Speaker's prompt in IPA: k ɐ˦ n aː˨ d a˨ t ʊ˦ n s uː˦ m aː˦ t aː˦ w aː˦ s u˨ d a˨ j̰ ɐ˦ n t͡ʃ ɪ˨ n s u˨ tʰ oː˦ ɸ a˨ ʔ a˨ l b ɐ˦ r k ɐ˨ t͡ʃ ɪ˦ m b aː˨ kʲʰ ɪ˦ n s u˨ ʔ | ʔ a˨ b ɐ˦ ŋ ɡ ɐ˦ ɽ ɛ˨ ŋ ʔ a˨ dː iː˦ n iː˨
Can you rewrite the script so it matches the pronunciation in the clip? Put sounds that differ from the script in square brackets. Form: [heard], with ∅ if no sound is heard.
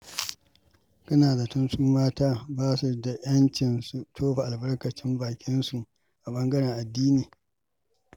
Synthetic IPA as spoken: k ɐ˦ n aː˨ d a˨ t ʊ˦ n s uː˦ m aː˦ t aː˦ [b] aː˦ s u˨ d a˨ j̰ ɐ˦ n t͡ʃ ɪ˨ n s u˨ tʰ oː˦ ɸ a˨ ʔ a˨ l b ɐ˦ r k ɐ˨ t͡ʃ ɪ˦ m b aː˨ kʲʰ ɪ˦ n s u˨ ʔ | ʔ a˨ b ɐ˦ ŋ ɡ ɐ˦ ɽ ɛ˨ ŋ ʔ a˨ dː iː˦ n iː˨